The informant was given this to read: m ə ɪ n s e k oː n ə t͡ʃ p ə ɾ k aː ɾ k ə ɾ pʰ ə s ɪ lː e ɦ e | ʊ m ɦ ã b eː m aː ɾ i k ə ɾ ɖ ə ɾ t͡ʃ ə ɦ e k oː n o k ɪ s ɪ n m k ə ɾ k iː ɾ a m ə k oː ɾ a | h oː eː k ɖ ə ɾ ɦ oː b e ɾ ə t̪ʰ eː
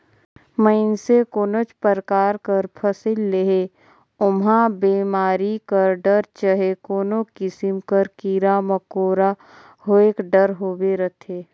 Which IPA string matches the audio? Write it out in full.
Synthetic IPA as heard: m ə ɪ n s e k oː n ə t͡ʃ p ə ɾ k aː ɾ k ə ɾ pʰ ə s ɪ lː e ɦ e | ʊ m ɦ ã b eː m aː ɾ i k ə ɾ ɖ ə ɾ t͡ʃ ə ɦ e k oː n o k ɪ s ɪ m k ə ɾ k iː ɾ a m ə k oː ɾ a | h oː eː k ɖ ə ɾ ɦ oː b e ɾ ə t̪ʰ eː